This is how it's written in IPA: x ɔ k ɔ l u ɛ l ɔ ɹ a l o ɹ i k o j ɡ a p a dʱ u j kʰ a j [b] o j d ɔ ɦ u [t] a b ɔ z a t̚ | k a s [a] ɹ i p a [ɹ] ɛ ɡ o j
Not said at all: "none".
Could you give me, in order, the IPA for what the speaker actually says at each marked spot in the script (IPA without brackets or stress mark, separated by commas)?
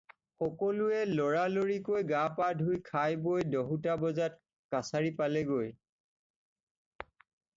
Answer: b, t, a, l